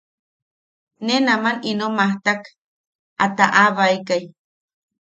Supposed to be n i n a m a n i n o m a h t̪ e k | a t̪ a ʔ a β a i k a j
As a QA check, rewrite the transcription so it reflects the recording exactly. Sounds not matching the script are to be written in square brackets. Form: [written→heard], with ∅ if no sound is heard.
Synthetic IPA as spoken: n [i→e] n a m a n i n o m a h t̪ [e→a] k | a t̪ a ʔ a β a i k a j